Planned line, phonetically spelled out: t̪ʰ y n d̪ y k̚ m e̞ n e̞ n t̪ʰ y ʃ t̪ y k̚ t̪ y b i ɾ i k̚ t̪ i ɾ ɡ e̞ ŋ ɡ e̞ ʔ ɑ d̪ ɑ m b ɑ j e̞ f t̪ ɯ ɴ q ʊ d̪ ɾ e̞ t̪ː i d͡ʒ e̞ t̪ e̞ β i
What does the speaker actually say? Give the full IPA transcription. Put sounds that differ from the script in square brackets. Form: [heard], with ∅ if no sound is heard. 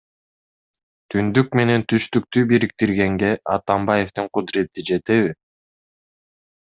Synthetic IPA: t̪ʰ y n d̪ y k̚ m e̞ n e̞ n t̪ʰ y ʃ t̪ y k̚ t̪ y b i ɾ i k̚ t̪ i ɾ ɡ e̞ ŋ ɡ e̞ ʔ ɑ [t̪] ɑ m b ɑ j e̞ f t̪ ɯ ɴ q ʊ d̪ ɾ e̞ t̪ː i d͡ʒ e̞ t̪ e̞ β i